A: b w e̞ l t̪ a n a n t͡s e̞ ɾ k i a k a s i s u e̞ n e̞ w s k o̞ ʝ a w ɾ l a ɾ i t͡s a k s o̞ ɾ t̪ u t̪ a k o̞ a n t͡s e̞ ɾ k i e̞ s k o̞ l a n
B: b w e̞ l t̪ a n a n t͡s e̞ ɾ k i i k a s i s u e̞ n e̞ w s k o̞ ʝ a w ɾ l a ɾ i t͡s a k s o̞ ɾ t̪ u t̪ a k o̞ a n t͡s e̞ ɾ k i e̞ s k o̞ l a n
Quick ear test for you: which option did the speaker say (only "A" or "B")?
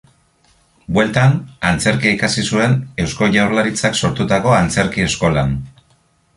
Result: B